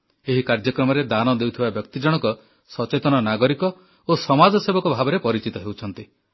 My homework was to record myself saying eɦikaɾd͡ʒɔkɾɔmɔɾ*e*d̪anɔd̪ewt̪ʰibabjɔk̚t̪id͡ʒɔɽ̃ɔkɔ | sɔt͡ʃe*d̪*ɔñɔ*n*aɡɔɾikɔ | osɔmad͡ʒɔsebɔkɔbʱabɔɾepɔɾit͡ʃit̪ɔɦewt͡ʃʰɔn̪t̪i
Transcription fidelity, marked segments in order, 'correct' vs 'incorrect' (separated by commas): correct, incorrect, correct